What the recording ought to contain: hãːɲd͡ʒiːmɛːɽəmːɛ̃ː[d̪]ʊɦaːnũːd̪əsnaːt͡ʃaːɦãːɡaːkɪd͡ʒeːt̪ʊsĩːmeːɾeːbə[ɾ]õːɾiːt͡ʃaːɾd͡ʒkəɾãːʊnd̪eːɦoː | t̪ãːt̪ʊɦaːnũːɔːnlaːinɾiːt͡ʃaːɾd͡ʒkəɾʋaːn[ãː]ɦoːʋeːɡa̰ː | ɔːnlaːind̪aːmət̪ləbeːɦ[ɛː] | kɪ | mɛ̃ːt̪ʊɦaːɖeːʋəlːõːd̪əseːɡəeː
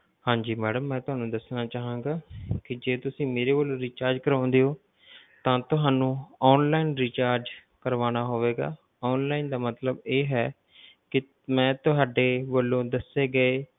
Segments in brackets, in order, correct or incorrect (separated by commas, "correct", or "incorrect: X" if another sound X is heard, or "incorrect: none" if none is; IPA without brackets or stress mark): incorrect: t̪, incorrect: l, incorrect: aː, correct